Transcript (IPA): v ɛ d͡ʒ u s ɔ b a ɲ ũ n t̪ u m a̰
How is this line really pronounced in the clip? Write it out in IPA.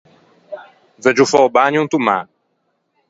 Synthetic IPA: v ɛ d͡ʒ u f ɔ b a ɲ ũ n t̪ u m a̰